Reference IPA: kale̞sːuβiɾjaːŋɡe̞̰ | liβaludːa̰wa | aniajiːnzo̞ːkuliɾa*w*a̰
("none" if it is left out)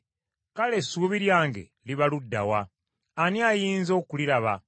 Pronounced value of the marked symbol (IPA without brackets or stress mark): β